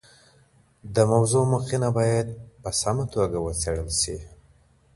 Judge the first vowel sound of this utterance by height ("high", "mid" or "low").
mid